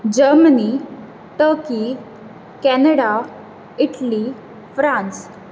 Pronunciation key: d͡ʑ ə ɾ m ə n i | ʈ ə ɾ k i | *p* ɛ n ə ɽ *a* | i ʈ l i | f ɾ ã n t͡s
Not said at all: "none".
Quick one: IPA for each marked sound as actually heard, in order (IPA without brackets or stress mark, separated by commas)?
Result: k, a